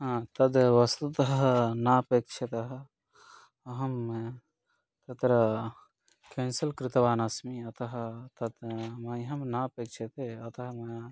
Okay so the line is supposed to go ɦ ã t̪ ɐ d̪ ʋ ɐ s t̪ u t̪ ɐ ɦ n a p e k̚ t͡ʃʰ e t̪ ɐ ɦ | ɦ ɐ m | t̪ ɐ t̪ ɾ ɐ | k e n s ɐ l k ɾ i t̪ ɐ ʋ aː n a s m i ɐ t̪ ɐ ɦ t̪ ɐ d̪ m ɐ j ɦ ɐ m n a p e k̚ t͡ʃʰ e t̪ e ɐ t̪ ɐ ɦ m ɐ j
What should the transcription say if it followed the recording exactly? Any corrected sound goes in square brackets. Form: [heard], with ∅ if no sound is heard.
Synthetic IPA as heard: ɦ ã t̪ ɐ d̪ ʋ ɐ s t̪ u t̪ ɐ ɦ n a p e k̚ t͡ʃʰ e t̪ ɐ ɦ | ɦ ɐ m | t̪ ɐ t̪ ɾ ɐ | k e n s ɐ l k ɾ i t̪ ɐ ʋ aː n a s m i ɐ t̪ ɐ ɦ t̪ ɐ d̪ m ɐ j ɦ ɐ m n a p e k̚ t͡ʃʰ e t̪ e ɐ t̪ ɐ ɦ m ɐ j